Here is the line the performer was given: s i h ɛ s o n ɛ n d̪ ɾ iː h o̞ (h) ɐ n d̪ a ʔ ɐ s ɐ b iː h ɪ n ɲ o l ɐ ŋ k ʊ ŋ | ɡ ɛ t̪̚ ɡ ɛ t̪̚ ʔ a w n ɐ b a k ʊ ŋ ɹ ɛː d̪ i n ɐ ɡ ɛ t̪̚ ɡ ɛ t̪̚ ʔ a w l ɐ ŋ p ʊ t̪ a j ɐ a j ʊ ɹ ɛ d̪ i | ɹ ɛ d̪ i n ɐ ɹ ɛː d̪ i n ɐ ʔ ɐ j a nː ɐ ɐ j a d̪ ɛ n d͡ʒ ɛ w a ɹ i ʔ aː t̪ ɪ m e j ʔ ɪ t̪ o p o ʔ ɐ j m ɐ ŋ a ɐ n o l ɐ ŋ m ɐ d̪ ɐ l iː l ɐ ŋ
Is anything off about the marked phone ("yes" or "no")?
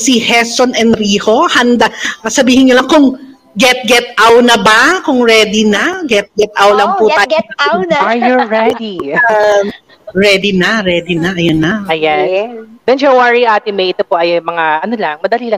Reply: no